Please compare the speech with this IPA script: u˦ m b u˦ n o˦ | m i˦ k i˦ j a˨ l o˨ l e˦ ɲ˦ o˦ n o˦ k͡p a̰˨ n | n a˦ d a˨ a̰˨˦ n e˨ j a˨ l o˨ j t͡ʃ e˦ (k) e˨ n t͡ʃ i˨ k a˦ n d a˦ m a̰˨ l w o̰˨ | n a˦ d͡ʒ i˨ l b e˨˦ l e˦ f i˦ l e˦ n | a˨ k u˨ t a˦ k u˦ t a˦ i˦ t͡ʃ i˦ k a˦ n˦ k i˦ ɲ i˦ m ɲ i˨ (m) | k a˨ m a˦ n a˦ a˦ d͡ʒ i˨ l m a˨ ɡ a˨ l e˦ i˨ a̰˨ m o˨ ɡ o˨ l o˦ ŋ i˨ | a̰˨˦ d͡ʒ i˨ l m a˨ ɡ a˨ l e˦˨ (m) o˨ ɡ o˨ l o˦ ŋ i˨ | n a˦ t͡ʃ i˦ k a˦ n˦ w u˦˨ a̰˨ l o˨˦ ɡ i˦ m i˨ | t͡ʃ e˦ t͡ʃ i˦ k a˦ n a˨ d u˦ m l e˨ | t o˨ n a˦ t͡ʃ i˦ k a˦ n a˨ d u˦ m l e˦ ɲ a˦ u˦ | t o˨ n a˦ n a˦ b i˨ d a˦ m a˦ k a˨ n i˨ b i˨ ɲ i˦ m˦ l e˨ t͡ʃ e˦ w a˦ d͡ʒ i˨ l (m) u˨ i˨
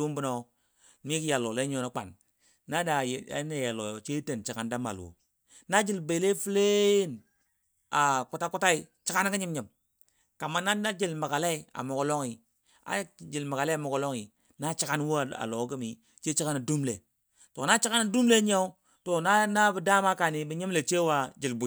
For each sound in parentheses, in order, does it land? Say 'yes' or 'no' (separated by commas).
no, yes, yes, no